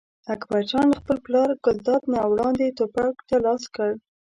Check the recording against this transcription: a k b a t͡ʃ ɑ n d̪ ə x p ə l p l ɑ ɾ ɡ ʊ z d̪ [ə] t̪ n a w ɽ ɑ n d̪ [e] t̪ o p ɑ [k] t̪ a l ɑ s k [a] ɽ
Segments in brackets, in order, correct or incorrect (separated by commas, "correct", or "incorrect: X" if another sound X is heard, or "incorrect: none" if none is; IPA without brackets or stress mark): incorrect: ɑ, correct, correct, incorrect: ə